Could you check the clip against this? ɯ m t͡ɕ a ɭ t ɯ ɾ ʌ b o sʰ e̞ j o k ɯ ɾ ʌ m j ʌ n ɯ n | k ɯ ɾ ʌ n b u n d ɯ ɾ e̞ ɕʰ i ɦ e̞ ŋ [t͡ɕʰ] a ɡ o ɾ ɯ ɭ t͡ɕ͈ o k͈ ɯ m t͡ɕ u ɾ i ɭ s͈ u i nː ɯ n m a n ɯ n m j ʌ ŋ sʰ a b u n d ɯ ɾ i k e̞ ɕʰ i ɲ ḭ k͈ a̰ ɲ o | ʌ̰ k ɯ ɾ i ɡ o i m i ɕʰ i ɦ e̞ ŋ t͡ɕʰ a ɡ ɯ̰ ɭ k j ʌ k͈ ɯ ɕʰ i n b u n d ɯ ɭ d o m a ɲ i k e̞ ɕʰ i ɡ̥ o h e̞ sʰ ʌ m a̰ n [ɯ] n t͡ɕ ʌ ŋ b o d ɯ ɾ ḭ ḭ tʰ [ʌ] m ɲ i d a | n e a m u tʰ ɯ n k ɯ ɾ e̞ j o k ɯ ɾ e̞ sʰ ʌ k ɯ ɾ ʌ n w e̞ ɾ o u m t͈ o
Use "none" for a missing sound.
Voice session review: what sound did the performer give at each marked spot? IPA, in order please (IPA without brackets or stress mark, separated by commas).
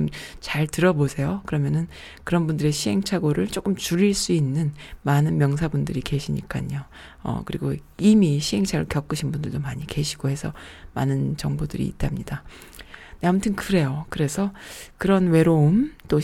t͡ɕʰ, ɯ, a